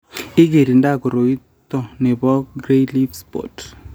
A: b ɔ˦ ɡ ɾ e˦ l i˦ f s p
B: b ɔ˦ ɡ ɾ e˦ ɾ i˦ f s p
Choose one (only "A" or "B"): A